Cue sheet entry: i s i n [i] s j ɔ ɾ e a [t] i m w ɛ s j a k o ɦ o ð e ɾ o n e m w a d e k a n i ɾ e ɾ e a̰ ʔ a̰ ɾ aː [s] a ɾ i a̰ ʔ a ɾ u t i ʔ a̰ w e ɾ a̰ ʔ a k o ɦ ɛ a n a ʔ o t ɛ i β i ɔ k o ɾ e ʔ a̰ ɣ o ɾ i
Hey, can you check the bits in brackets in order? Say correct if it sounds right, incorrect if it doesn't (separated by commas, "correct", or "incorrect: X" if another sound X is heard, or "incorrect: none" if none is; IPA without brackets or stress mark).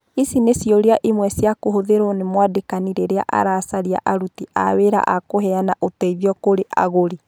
incorrect: e, incorrect: ʔ, correct